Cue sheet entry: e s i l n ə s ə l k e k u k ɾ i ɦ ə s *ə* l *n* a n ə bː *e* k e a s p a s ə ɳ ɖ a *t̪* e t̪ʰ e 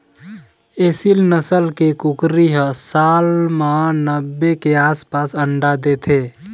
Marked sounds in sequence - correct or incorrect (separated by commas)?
incorrect, incorrect, correct, incorrect